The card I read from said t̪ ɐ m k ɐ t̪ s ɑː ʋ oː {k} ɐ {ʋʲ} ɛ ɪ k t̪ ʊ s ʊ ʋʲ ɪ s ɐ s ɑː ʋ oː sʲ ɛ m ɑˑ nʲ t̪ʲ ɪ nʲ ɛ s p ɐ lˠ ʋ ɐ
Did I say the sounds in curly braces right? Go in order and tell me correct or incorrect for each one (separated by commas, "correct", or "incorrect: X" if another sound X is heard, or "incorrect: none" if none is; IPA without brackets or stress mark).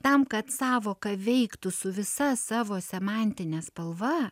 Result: correct, correct